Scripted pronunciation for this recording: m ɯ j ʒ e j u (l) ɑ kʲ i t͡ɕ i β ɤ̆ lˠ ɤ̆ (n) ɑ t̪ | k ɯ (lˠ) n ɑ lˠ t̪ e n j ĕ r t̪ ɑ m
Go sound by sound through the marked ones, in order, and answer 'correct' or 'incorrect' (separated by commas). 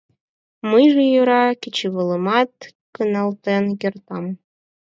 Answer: incorrect, incorrect, incorrect